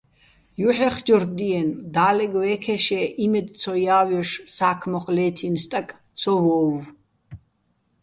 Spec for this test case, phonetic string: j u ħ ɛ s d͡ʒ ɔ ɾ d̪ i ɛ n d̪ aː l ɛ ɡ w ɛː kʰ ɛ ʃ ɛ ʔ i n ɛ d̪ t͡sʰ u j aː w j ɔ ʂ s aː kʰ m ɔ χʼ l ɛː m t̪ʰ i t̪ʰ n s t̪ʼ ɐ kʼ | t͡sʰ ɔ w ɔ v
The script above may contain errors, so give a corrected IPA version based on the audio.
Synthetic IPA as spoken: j u ħ ɛ χ d͡ʒ ɔ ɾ d̪ i ɛ n d̪ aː l ɛ ɡ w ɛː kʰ ɛ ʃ ɛ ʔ i m ɛ d̪ t͡sʰ ɔ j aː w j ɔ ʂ s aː kʰ m ɔ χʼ l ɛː t̪ʰ i n s t̪ʼ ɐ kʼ | t͡sʰ ɔ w ɔ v

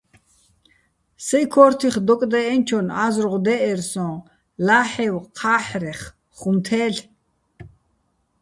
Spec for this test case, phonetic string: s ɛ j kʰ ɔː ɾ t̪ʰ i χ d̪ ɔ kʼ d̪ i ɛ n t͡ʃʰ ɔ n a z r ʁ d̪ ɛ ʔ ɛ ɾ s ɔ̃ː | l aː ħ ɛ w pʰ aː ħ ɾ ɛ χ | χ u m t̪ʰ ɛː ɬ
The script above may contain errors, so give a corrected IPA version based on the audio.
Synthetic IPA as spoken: s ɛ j kʰ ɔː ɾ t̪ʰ i χ d̪ ɔ kʼ d̪ ɛ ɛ n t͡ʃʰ ɔ n a z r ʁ d̪ ɛ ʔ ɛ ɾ s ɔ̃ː | l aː ħ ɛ w qʰ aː ħ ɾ ɛ χ | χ u m t̪ʰ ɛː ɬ

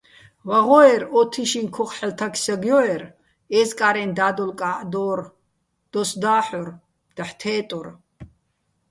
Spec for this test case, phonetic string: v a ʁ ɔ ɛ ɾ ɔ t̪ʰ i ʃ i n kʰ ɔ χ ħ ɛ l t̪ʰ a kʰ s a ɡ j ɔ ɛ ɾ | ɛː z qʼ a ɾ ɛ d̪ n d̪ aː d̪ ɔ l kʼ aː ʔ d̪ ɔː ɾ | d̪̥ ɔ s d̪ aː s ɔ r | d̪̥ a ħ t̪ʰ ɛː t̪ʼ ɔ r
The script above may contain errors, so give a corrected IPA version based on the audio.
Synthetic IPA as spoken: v a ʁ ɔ ɛ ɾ ɔ t̪ʰ i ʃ i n kʰ ɔ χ ħ ɛ l t̪ʰ a kʰ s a ɡ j ɔ ɛ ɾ | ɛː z kʼ a ɾ ɛ n d̪ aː d̪ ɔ l kʼ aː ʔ d̪ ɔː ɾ | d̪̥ ɔ s d̪ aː ħ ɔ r | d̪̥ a ħ t̪ʰ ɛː t̪ʼ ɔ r

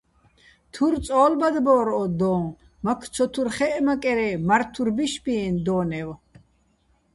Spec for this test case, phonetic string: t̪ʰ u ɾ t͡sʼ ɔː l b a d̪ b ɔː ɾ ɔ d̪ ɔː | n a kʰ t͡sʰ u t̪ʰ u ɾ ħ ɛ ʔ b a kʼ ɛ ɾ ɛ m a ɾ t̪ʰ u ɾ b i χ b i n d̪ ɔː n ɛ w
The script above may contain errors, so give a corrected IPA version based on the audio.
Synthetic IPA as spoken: t̪ʰ u ɾ t͡sʼ ɔː l b a d̪ b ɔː ɾ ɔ d̪ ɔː | m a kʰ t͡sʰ ɔ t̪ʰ u ɾ χ ɛ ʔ m a kʼ ɛ ɾ ɛ m a ɾ t̪ʰ u ɾ b i ʃ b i n d̪ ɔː n ɛ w

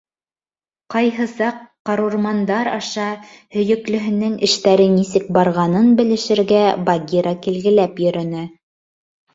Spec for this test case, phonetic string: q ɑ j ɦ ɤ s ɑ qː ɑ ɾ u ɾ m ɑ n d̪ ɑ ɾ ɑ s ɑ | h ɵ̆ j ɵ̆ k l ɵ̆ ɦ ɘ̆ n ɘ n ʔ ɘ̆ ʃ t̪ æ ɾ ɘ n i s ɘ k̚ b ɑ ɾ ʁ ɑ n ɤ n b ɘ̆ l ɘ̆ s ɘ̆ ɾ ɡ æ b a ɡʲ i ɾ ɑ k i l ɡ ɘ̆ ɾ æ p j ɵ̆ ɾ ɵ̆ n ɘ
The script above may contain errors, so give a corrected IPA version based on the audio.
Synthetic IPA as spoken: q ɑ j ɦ ɤ s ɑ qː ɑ ɾ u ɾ m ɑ n d̪ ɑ ɾ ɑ ʃ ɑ | h ɵ̆ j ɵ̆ k l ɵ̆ ɦ ɘ̆ n ɘ ŋ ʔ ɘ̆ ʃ t̪ æ ɾ ɘ n i s ɘ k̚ b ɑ ɾ ʁ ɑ n ɤ n b ɘ̆ l ɘ̆ ʃ ɘ̆ ɾ ɡ æ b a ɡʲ i ɾ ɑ k i l ɡ ɘ̆ l æ p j ɵ̆ ɾ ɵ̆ n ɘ

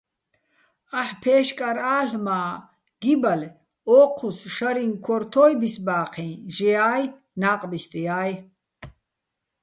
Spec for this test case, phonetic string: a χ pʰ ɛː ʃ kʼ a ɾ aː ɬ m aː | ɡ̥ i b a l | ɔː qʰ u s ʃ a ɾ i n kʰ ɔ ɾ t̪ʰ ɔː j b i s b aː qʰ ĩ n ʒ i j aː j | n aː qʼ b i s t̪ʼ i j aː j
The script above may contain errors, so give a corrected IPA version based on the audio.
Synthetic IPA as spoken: a ħ pʰ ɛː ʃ kʼ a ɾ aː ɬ m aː | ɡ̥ i b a l | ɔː qʰ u s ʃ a ɾ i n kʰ ɔ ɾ t̪ʰ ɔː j b i s b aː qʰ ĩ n ʒ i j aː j | n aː qʼ b i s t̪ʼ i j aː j

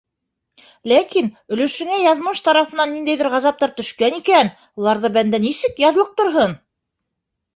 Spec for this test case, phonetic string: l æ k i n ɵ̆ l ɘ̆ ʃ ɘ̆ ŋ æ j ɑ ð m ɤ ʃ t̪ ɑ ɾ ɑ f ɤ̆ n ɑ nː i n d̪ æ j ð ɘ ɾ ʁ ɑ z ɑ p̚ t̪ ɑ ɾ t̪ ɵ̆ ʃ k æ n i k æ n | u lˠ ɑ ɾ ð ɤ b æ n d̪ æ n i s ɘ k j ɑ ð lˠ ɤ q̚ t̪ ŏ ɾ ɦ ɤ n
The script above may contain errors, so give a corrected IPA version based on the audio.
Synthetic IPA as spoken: l æ k i n ɵ̆ l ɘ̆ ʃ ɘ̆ ŋ æ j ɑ ð m ɤ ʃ t̪ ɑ ɾ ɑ f ɤ̆ n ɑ nː i n d̪ æ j ð ɘ ɾ ʁ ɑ z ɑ p̚ t̪ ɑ ɾ t̪ ɵ̆ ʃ k æ n i k æ n | u lˠ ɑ ɾ ð ɤ b æ n d̪ æ n i s ɘ k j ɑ ð lˠ ɤ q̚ t̪ ŏ ɾ ɦ ɤ n

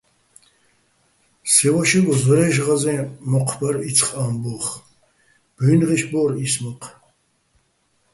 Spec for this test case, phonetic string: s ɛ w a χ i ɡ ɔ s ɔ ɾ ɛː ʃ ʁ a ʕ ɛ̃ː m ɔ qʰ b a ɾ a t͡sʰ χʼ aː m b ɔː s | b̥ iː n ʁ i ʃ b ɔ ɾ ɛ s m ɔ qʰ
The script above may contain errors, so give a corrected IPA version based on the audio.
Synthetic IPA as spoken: s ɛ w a ʃ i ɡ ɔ z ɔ ɾ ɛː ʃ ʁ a z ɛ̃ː m ɔ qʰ b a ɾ i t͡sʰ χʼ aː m b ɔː χ | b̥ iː n ʁ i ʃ b ɔ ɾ i s m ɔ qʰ

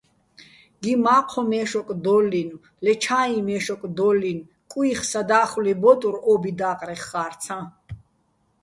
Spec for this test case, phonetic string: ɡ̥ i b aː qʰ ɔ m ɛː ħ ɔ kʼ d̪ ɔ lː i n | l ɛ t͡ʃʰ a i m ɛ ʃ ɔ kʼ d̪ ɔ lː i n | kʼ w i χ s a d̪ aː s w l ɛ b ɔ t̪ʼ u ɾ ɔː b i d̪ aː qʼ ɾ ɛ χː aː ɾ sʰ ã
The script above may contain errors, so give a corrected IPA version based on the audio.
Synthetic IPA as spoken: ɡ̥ i m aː qʰ ɔ m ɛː ʃ ɔ kʼ d̪ ɔ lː i n | l ɛ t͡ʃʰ a i m ɛ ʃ ɔ kʼ d̪ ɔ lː i n | kʼ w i χ s a d̪ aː χ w l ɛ b ɔ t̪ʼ u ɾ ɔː b i d̪ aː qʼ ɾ ɛ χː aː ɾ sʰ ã

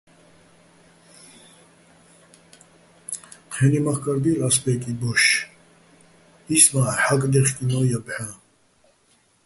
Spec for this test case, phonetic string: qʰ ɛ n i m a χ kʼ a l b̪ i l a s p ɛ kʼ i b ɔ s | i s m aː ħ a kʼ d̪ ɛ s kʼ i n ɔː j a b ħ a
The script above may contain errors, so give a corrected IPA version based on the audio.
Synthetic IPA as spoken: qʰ ɛ n i m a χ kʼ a ɾ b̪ i l a s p ɛ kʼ i b ɔ ʃ | i s m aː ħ a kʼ d̪ ɛ χ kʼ i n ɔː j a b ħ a

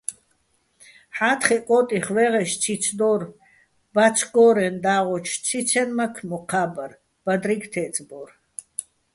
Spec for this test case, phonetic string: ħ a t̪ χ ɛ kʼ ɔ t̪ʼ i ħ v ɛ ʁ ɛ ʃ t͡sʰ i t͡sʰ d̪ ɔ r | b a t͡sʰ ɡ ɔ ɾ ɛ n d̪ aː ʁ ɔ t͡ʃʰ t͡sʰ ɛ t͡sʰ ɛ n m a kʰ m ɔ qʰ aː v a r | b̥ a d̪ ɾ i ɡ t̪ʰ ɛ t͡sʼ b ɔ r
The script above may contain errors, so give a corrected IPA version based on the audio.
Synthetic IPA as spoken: ħ a t̪ χ ɛ kʼ ɔ t̪ʼ i χ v ɛ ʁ ɛ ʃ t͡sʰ i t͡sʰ d̪ ɔ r | b a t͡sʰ ɡ ɔ ɾ ɛ n d̪ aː ʁ ɔ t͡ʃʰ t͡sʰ i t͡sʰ ɛ n m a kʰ m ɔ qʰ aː b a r | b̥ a d̪ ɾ i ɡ t̪ʰ ɛ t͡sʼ b ɔ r

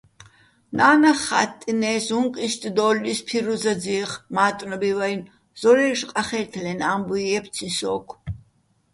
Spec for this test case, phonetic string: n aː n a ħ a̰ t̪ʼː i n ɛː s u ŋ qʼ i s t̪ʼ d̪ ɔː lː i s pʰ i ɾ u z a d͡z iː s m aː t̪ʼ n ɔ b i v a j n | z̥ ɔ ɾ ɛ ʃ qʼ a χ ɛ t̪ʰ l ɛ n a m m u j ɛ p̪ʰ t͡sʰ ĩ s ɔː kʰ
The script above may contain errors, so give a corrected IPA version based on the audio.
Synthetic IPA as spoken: n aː n a χ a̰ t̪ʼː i n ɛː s u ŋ qʼ i s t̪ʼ d̪ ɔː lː i s pʰ i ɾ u z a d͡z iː χ m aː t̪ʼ n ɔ b i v a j n | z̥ ɔ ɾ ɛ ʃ qʼ a χ ɛ t̪ʰ l ɛ n a m b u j ɛ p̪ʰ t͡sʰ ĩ s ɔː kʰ

